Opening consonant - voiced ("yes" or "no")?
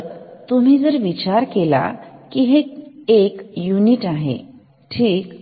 no